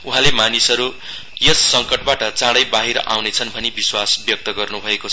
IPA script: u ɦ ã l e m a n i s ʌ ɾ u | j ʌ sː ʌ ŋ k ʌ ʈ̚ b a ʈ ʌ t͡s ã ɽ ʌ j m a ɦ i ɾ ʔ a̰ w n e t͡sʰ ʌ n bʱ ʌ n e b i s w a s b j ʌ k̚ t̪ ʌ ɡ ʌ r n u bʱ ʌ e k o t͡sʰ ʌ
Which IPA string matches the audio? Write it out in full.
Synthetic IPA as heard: u ɦ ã l e m a n i s ʌ ɾ u | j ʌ sː ʌ ŋ k ʌ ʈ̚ b a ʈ ʌ t͡s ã ɽ ʌ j b a ɦ i ɾ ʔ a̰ w n e t͡sʰ ʌ n bʱ ʌ n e b i s w a s b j ʌ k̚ t̪ ʌ ɡ ʌ r n u bʱ ʌ e k o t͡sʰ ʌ